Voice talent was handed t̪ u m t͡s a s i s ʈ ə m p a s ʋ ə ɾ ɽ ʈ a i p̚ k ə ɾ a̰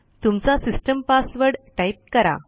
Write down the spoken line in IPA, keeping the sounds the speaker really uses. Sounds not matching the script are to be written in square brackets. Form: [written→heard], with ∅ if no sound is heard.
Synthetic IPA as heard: t̪ u m t͡s a s i s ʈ ə m p a s ʋ ə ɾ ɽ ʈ a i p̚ k ə ɾ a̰